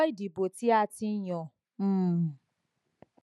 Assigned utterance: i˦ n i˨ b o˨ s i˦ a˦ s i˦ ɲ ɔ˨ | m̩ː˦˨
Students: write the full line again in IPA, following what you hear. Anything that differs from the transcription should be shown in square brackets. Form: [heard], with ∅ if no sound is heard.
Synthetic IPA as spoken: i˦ [d] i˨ b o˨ [t] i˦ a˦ [t] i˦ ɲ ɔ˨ | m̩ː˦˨